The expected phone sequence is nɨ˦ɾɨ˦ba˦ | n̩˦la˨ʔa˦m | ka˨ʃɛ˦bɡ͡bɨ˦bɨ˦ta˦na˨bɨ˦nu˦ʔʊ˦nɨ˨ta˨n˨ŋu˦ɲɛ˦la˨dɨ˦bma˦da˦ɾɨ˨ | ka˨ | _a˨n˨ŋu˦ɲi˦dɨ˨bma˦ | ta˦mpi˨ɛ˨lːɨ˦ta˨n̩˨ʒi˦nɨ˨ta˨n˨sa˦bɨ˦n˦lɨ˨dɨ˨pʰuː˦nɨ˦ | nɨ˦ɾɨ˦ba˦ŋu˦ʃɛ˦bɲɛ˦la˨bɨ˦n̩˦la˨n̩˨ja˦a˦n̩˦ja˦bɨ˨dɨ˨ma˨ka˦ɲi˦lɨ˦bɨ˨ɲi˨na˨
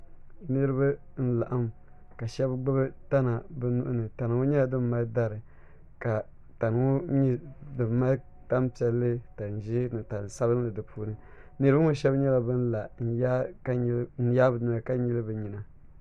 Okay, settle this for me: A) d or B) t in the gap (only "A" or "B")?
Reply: B